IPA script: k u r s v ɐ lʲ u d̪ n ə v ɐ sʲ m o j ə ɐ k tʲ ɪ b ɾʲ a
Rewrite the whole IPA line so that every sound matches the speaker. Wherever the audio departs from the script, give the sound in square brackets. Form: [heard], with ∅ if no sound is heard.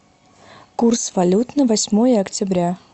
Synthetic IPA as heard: k u r s v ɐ lʲ u [t̪] n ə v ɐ sʲ m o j ə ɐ k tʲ ɪ b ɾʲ a